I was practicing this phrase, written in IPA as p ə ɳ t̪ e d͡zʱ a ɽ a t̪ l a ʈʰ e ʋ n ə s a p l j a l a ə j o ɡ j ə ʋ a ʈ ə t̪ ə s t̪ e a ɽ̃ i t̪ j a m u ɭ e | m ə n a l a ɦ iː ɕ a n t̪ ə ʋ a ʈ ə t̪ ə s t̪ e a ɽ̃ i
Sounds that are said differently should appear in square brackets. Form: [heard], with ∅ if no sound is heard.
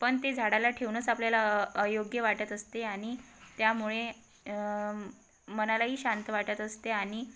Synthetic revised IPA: p ə ɳ t̪ e d͡zʱ a ɽ a [∅] l a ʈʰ e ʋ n ə [t͡s] a p l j a l a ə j o ɡ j ə ʋ a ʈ ə t̪ ə s t̪ e a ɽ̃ i t̪ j a m u ɭ e | m ə n a l a ɦ iː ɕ a n t̪ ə ʋ a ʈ ə t̪ ə s t̪ e a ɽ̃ i

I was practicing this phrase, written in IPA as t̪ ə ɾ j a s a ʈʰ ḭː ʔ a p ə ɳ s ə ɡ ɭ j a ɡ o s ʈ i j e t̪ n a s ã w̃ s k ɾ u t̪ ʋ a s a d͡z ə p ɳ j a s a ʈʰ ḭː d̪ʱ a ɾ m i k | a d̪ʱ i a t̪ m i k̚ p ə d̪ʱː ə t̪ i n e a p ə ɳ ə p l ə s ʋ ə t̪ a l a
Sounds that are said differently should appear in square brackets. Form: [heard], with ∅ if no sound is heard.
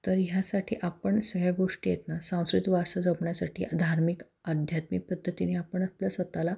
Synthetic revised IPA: t̪ ə ɾ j a s a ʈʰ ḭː ʔ a p ə ɳ s ə ɡ ɭ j a ɡ o [ʂ] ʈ i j e t̪ n a s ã w̃ s k ɾ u t̪ ʋ a s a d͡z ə p ɳ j a s a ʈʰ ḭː d̪ʱ a ɾ m i k | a d̪ʱ [j] a t̪ m i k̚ p ə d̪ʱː ə t̪ i n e a p ə ɳ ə p l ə s ʋ ə t̪ a l a

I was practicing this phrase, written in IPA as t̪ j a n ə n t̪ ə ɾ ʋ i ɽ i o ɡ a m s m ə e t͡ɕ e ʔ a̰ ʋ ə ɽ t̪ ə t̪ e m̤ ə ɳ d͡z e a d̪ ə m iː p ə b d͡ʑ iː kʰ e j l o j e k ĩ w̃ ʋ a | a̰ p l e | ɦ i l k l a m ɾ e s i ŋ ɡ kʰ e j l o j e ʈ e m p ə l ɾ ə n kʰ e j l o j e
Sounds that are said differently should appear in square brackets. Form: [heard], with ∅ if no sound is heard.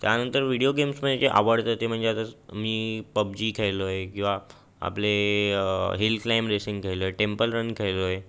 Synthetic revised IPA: t̪ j a n ə n t̪ ə ɾ ʋ i ɽ i o ɡ [e] m s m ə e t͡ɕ e ʔ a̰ ʋ ə ɽ t̪ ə t̪ e m̤ ə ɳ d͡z e a [t̪] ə m iː p ə b d͡ʑ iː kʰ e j l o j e k ĩ w̃ ʋ a | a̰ p l e | ɦ i l k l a m ɾ e s i ŋ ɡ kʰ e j l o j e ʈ e m p ə l ɾ ə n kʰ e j l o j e

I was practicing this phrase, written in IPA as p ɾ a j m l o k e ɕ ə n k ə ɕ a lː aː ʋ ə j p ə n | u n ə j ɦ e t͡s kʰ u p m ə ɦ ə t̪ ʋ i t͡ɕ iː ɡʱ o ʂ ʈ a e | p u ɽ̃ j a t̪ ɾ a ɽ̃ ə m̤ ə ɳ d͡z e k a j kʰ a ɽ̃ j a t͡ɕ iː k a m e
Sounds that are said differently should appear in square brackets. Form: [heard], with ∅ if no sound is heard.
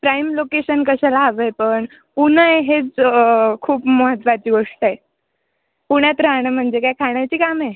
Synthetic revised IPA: p ɾ a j m l o k e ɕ ə n k ə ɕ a [l] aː ʋ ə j p ə [ɳ] | u n ə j ɦ e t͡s kʰ [uː] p m ə ɦ ə t̪ ʋ [a] t͡ɕ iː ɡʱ o ʂ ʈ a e | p u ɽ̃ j a t̪ ɾ a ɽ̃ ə m̤ ə ɳ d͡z e k a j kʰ a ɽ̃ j a t͡ɕ iː k a m e

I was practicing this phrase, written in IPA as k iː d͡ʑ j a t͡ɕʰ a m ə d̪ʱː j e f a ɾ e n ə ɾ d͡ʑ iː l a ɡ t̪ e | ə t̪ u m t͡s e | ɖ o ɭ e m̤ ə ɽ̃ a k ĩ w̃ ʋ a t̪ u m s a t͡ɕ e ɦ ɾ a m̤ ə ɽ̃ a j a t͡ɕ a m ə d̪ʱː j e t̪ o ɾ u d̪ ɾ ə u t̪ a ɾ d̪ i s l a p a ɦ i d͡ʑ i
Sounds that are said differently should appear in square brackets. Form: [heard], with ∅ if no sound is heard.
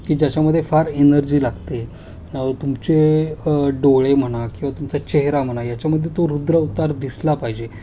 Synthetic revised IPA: k iː d͡ʑ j a [t͡ɕ] a m ə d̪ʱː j e f a ɾ e n ə ɾ d͡ʑ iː l a ɡ t̪ e | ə t̪ u m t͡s e | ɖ o ɭ e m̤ ə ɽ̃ a k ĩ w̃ ʋ a t̪ u m [t͡s] a t͡ɕ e ɦ ɾ a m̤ ə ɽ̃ a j a t͡ɕ a m ə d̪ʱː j e t̪ o ɾ u d̪ ɾ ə u t̪ a ɾ d̪ i s l a p a ɦ i d͡ʑ [e]

